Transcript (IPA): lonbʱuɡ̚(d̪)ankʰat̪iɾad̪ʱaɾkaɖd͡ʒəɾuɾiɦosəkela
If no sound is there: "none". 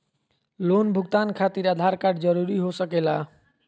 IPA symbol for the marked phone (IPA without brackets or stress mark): t̪